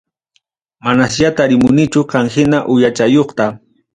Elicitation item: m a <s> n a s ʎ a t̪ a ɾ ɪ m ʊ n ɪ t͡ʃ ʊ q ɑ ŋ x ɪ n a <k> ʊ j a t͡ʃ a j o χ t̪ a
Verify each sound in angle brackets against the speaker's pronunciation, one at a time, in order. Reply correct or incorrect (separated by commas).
incorrect, incorrect